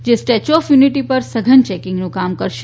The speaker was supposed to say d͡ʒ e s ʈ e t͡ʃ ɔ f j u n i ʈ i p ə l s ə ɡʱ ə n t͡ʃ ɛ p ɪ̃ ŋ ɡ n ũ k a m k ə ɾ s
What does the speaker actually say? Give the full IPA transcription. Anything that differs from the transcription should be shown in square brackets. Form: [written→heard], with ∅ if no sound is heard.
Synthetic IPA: d͡ʒ e s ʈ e t͡ʃ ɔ f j u n i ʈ i p ə [l→ɾ] s ə ɡʱ ə n t͡ʃ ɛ [p→k] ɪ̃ ŋ ɡ n ũ k a m k ə ɾ [s→ʃ]